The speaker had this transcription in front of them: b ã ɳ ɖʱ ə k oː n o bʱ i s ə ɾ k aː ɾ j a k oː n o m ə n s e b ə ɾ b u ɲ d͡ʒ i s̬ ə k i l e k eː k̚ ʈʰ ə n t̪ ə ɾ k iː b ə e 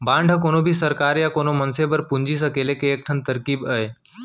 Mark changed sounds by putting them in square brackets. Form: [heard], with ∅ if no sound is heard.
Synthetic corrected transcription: b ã ɳ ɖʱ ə k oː n o bʱ i s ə ɾ k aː ɾ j a k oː n o m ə n s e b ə ɾ [p] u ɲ d͡ʒ i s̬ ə k [e] l e k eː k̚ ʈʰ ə n t̪ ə ɾ k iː b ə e